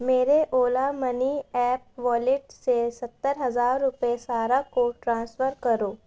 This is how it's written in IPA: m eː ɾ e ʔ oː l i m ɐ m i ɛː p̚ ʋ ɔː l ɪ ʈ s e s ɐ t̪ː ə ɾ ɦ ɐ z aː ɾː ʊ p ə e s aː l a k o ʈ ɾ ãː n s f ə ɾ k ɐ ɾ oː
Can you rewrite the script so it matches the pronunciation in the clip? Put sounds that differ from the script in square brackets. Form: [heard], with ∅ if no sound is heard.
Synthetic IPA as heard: m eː ɾ e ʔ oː l [a] m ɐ [n] i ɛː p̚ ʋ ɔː l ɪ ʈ s e s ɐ t̪ː ə ɾ ɦ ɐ z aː ɾː ʊ p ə e s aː [ɾ] a k o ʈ ɾ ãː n s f ə ɾ k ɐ ɾ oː

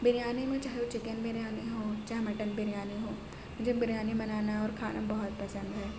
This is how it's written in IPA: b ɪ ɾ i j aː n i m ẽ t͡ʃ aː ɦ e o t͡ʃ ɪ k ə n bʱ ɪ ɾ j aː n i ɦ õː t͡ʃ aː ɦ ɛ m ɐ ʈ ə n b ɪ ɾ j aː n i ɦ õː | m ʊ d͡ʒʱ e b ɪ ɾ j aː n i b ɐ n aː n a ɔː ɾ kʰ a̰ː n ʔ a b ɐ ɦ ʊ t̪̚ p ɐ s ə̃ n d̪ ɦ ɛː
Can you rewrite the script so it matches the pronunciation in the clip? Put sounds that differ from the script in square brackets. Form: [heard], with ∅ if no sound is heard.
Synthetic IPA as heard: b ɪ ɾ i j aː n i m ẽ t͡ʃ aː ɦ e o t͡ʃ ɪ k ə n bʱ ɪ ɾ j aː n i ɦ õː t͡ʃ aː ɦ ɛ m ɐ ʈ ə n b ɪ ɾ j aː n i ɦ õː | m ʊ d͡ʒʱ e b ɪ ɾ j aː n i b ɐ n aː n a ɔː ɾ kʰ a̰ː n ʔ a b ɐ ɦ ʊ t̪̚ p ɐ s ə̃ n d̪ ɦ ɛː

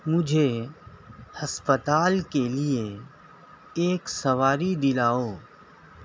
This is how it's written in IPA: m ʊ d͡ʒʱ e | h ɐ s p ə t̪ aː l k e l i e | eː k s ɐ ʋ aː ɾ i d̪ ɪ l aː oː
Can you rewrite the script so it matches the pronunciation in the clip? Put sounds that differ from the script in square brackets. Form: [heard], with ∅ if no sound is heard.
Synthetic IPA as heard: m ʊ d͡ʒʱ e | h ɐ s p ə t̪ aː l k e l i e | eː k s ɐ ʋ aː ɾ i d̪ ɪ l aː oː

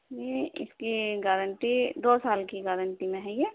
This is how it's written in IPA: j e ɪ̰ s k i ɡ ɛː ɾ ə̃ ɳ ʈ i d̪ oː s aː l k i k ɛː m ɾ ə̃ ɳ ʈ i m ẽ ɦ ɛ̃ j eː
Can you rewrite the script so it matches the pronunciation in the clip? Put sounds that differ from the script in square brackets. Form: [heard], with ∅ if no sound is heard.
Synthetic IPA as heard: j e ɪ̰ s k i ɡ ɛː ɾ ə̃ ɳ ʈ i d̪ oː s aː l k i [ɡ] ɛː [∅] ɾ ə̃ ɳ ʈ i m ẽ ɦ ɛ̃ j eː

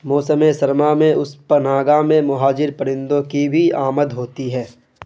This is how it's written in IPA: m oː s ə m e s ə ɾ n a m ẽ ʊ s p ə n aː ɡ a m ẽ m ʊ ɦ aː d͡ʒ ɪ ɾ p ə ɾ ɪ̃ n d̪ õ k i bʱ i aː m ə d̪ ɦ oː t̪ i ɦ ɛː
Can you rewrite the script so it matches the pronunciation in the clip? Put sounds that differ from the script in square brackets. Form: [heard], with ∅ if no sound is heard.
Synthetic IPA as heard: m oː s ə m e s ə ɾ [m] a m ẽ ʊ s p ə n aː ɡ a m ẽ m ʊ ɦ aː d͡ʒ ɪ ɾ p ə ɾ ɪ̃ n d̪ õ k i bʱ i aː m ə d̪ ɦ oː t̪ i ɦ ɛː

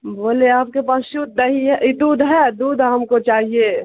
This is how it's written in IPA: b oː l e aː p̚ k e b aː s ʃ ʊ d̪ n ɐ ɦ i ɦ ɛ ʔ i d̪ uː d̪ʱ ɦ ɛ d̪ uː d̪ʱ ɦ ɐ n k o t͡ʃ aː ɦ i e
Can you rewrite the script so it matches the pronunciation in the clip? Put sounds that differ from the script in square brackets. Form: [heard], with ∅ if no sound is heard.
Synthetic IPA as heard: b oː l e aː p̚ k e [p] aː s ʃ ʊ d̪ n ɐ ɦ i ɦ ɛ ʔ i d̪ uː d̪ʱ ɦ ɛ d̪ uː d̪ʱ ɦ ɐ [m] k o t͡ʃ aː ɦ i e

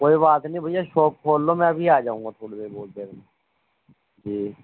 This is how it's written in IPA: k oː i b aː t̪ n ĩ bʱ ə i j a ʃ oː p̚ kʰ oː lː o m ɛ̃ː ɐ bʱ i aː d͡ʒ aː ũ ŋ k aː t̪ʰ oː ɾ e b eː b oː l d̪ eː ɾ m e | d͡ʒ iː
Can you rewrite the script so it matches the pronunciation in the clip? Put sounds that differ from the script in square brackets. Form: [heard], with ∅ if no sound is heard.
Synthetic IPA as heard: k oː i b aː t̪ n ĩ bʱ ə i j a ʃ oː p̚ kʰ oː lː o m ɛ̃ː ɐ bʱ i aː d͡ʒ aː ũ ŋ [ɡ] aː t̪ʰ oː [ɽ] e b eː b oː l d̪ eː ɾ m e | d͡ʒ iː

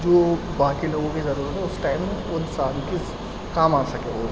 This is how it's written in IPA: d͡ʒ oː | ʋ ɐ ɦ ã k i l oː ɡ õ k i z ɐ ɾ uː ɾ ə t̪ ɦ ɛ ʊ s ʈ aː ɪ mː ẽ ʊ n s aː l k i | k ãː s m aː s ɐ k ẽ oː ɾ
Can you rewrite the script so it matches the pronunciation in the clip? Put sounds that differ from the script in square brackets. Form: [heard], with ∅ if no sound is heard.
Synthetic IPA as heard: d͡ʒ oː | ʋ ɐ ɦ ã k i l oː ɡ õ k i z ɐ ɾ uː ɾ ə t̪ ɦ ɛ ʊ s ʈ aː ɪ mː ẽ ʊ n s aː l k i | k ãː [∅] m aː s ɐ k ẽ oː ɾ

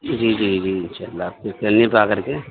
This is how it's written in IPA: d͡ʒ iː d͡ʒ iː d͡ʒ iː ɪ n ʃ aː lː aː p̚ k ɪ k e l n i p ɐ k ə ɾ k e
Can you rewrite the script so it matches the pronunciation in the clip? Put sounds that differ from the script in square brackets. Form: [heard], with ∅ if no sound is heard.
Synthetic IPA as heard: d͡ʒ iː d͡ʒ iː d͡ʒ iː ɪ n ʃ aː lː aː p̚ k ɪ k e l n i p [a] k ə ɾ k e

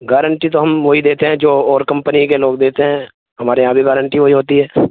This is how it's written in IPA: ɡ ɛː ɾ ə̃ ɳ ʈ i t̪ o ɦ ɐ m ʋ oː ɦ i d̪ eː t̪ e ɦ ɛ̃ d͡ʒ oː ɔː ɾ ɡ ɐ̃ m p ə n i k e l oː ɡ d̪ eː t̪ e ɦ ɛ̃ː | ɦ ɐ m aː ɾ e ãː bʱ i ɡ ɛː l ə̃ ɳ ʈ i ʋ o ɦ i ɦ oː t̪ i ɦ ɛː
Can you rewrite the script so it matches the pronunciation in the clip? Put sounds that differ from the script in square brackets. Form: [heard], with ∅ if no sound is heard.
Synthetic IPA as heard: ɡ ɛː ɾ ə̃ ɳ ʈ i t̪ o ɦ ɐ m ʋ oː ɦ i d̪ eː t̪ e ɦ ɛ̃ d͡ʒ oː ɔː ɾ [k] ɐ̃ m p ə n i k e l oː ɡ d̪ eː t̪ e ɦ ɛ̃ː | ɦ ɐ m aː ɾ e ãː bʱ i ɡ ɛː [ɾ] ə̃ ɳ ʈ i ʋ o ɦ i ɦ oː t̪ i ɦ ɛː

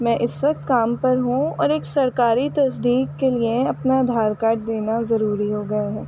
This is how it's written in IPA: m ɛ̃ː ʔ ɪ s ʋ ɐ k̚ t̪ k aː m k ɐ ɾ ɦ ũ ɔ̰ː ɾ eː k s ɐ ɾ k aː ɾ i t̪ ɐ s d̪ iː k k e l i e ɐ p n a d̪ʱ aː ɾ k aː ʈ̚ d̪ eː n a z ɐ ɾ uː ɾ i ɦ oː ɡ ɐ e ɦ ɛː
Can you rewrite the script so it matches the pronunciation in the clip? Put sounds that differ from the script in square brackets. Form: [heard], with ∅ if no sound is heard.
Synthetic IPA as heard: m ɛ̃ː ʔ ɪ s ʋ ɐ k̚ t̪ k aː m [p] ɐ ɾ ɦ ũ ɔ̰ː ɾ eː k s ɐ ɾ k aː ɾ i t̪ ɐ s d̪ iː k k e l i e ɐ p n a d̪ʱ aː ɾ k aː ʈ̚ d̪ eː n a z ɐ ɾ uː ɾ i ɦ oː ɡ ɐ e ɦ ɛː

